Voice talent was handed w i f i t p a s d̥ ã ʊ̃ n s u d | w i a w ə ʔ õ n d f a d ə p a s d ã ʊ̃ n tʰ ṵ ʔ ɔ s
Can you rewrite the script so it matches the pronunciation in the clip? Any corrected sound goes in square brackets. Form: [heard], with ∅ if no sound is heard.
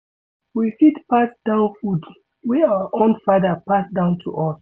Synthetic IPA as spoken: w i f i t p a s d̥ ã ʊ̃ n [f] u d | w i a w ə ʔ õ n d f a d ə p a s d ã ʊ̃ n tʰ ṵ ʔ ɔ s